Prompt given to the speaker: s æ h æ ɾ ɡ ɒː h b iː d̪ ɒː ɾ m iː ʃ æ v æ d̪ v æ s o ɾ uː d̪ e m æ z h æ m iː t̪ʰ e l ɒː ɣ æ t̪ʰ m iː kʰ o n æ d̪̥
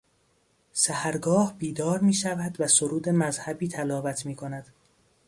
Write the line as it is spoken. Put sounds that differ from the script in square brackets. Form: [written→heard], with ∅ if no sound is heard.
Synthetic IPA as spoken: s æ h æ ɾ ɡ ɒː h b iː d̪ ɒː ɾ m iː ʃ æ v æ d̪ v æ s o ɾ uː d̪ e m æ z h æ [m→b] iː t̪ʰ [e→æ] l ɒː [ɣ→v] æ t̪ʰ m iː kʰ o n æ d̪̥